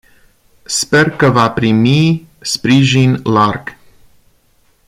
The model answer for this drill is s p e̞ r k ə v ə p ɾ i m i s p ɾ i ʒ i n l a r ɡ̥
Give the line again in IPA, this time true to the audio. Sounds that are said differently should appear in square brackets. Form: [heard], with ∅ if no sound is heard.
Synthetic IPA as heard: s p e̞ r k ə v [a] p ɾ i m i s p ɾ i ʒ i n l a r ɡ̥

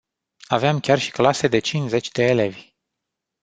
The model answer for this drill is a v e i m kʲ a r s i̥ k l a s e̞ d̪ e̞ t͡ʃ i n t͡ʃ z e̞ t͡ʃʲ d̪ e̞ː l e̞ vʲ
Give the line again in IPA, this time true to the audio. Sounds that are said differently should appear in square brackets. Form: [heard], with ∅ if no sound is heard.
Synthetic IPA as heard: a v e [a] m kʲ a r [ʃ] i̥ k l a s e̞ d̪ e̞ t͡ʃ i n t͡ʃ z e̞ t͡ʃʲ d̪ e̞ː l e̞ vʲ

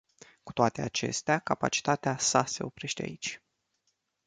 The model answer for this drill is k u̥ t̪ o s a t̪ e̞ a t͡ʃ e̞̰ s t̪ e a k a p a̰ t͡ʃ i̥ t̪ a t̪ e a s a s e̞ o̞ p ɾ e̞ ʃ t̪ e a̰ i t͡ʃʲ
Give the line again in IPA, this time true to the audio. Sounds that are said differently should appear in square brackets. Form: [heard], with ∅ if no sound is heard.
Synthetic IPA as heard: k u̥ t̪ o [∅] a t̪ e̞ a t͡ʃ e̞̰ s t̪ e a k a p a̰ t͡ʃ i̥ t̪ a t̪ e a s a s e̞ o̞ p ɾ e̞ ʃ t̪ e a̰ i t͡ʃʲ

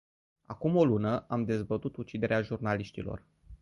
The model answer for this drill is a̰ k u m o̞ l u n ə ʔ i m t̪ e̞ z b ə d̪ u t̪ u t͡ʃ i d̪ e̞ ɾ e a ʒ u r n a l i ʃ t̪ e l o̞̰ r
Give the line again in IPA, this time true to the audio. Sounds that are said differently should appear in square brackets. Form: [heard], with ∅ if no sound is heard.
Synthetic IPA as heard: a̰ k u m o̞ l u n ə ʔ [a] m [d̪] e̞ z b ə [t̪] u t̪ u t͡ʃ i d̪ e̞ ɾ e a ʒ u r n a l i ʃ t̪ [i] l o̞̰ r

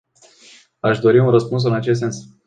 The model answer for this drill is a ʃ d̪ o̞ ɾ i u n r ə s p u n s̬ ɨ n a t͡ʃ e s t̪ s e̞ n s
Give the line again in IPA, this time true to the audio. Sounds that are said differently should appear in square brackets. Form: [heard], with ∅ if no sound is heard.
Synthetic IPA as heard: a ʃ d̪ o̞ ɾ i u n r ə s p u n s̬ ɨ n a t͡ʃ e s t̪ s e̞ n s

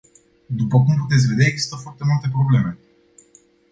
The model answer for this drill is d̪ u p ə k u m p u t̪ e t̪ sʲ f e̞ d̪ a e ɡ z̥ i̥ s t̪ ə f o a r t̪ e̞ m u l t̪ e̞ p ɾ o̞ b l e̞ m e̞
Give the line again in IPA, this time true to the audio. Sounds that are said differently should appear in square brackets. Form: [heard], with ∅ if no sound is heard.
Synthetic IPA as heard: d̪ u p ə k u m p u t̪ e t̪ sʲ [v] e̞ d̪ a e ɡ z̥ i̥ s t̪ ə f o a r t̪ e̞ m u l t̪ e̞ p ɾ o̞ b l e̞ m e̞

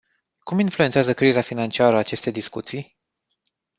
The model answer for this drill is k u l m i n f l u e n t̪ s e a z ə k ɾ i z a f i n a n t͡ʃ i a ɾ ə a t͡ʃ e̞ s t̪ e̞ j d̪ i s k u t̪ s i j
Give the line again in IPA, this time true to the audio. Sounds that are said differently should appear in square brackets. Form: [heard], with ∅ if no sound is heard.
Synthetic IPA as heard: k u [∅] m i n f l u e n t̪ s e a z ə k ɾ i z a f i n a n t͡ʃ i a ɾ ə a t͡ʃ e̞ s t̪ e̞ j d̪ i s k u t̪ s i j

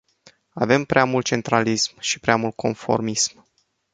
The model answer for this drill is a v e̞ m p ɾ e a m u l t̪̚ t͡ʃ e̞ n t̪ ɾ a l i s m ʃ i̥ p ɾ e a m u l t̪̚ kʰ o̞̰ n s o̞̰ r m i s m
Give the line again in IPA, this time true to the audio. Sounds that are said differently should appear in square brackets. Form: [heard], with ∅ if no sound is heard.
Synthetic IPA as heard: a v e̞ m p ɾ e a m u l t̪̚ t͡ʃ e̞ n t̪ ɾ a l i s m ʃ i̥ p ɾ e a m u l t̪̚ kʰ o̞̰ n [f] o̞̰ r m i s m

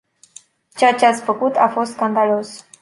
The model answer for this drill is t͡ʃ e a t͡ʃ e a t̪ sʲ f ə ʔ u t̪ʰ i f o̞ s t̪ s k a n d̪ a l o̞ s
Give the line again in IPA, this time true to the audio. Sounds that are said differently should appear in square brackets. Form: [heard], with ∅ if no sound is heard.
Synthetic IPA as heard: t͡ʃ e a t͡ʃ e a t̪ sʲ f ə [k] u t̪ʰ [a] f o̞ s t̪ s k a n d̪ a l o̞ s

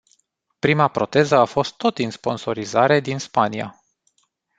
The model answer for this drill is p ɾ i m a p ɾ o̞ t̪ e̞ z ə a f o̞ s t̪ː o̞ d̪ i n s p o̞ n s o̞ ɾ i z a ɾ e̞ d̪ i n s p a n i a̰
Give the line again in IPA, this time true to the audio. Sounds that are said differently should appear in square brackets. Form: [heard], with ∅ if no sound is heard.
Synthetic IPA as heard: p ɾ i m a p ɾ o̞ t̪ e̞ z ə a f o̞ s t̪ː o̞ [t̪] i n s p o̞ n s o̞ ɾ i z a ɾ e̞ d̪ i n s p a n i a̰

